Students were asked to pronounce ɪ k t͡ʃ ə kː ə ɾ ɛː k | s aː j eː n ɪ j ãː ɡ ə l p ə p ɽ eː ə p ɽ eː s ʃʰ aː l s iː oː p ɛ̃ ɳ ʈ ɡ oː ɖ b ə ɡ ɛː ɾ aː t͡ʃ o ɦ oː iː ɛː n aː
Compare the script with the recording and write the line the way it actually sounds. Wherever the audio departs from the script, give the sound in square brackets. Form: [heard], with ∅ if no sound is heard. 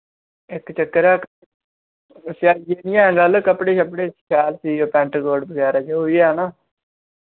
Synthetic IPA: ɪ k t͡ʃ ə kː ə ɾ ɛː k | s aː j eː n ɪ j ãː ɡ ə l [k] ə p ɽ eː ə p ɽ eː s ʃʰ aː l s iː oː p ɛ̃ ɳ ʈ ɡ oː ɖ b ə ɡ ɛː ɾ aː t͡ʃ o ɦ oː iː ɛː n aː